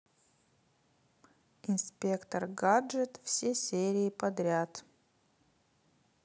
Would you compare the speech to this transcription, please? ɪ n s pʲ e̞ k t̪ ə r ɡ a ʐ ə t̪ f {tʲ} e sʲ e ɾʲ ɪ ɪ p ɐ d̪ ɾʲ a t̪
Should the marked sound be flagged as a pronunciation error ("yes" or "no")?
yes